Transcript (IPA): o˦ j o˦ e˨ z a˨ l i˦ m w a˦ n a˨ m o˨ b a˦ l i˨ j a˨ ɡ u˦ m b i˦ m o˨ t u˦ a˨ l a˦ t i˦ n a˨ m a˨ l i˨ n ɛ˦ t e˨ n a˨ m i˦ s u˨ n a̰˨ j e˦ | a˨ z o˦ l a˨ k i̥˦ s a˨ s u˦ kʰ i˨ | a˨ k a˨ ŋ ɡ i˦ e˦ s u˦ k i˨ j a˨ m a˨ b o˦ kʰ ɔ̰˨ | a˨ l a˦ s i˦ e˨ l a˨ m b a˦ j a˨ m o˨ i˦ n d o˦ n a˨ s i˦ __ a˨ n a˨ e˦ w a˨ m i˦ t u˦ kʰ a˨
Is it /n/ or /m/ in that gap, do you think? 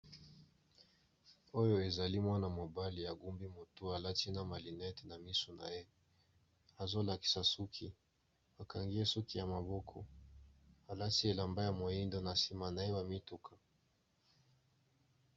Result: m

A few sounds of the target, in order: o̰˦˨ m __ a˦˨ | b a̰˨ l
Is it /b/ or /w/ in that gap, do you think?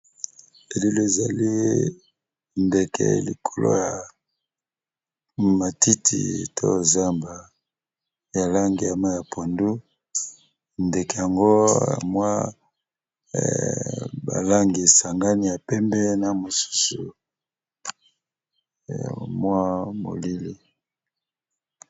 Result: w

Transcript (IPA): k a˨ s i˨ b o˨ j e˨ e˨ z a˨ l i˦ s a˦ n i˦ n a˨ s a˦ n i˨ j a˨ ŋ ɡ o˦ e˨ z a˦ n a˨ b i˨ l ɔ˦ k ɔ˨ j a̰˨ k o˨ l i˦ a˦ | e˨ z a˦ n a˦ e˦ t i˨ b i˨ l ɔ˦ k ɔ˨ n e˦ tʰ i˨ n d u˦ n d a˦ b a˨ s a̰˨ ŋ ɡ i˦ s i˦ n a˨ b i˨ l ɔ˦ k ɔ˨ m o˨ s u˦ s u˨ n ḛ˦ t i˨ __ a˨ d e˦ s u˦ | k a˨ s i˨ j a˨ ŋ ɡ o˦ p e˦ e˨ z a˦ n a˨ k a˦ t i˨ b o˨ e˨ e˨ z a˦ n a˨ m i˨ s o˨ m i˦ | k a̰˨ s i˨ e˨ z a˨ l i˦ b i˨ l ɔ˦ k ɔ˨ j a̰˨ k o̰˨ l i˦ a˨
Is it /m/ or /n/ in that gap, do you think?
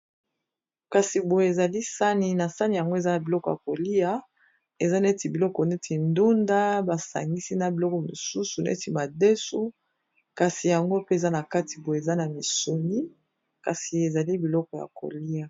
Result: m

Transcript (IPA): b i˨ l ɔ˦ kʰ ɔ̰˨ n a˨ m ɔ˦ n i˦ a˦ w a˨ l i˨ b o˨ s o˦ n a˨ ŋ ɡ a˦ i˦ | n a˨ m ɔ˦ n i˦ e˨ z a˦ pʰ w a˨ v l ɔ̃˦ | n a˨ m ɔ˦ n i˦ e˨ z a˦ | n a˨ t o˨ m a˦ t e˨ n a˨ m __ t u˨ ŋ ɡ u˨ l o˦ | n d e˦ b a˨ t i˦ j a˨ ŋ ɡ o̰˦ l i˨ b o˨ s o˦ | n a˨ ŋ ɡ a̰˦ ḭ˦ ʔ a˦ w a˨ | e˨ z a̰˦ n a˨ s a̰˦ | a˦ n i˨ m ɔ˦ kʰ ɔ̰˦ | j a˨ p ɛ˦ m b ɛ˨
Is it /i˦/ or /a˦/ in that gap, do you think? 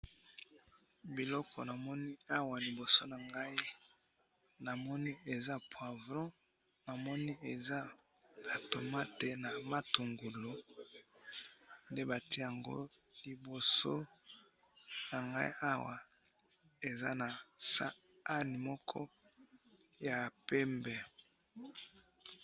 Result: a˦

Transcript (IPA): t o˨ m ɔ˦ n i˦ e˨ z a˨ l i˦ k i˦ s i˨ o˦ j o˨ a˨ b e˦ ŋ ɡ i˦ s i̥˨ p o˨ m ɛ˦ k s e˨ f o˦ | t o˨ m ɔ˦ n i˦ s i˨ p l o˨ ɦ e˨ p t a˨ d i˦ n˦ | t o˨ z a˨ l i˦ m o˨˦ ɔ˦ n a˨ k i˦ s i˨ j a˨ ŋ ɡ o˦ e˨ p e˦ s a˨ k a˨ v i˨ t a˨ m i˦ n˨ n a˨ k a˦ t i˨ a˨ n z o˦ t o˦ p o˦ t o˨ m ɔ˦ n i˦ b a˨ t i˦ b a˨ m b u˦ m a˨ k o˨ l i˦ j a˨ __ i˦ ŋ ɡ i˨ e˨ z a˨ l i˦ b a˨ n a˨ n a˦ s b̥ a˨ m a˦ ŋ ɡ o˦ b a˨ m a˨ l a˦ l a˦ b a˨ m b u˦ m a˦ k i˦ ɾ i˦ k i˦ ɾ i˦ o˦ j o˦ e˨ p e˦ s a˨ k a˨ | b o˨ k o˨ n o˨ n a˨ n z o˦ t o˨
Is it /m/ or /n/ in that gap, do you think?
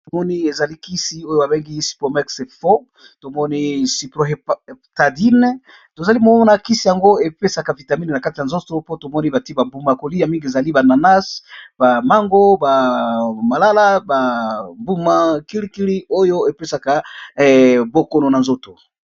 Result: m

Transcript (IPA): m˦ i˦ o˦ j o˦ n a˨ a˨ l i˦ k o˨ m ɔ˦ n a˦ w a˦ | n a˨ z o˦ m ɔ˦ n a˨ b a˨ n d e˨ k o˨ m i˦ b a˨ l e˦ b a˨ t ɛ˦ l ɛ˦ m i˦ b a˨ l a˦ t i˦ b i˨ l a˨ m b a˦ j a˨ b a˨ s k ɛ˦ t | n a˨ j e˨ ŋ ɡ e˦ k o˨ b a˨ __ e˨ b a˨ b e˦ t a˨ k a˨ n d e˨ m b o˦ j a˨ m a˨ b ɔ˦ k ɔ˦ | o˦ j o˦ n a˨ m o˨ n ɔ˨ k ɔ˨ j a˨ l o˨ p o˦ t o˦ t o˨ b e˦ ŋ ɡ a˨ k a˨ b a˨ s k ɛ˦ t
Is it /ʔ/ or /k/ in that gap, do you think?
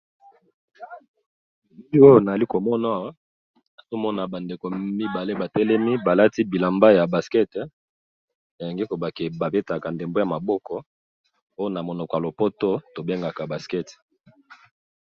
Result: k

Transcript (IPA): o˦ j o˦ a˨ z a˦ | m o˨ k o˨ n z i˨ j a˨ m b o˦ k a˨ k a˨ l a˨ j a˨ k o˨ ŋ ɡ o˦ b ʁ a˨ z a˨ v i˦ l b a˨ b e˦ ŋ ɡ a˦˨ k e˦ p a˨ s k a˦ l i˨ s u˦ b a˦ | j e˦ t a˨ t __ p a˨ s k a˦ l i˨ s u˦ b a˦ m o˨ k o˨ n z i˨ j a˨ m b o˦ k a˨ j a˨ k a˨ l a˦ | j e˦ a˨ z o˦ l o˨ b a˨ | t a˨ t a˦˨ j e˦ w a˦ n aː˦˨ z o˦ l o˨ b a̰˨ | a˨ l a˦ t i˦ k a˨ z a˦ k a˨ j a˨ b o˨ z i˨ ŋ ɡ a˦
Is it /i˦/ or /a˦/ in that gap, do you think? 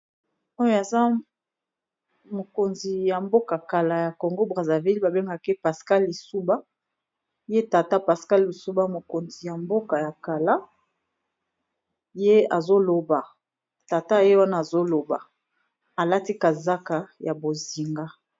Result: a˦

